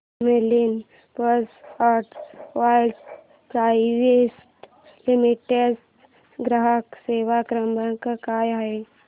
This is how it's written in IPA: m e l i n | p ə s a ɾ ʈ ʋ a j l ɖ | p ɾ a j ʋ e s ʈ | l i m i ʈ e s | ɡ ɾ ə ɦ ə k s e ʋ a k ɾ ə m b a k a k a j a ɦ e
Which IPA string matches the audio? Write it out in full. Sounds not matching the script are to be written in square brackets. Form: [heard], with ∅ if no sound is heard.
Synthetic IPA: m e l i n | p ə s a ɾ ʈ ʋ a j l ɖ | p ɾ a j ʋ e s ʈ | l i m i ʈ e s | ɡ ɾ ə ɦ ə k s e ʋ a k ɾ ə m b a k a k a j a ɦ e